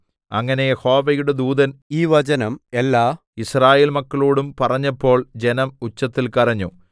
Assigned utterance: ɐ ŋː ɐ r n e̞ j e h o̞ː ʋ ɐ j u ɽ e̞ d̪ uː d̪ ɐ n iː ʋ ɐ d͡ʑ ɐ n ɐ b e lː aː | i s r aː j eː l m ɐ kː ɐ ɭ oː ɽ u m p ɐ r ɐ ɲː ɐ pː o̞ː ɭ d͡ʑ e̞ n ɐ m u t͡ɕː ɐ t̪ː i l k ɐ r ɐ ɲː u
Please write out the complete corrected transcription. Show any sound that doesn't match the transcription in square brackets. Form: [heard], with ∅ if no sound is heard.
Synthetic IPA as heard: ɐ ŋː ɐ [∅] n e̞ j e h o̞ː ʋ ɐ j u ɽ e̞ d̪ uː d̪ ɐ n iː ʋ ɐ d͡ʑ ɐ n ɐ [m] e lː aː | i s r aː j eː l m ɐ kː ɐ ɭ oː ɽ u m p ɐ r ɐ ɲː ɐ pː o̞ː ɭ d͡ʑ e̞ n ɐ m u t͡ɕː ɐ t̪ː i l k ɐ r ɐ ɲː u